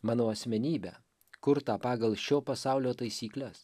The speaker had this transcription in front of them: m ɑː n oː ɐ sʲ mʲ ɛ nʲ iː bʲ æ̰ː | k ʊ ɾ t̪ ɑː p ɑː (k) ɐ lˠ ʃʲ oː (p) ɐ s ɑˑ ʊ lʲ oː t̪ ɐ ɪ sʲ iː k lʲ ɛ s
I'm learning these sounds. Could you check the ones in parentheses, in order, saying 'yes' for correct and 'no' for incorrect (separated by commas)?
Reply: no, yes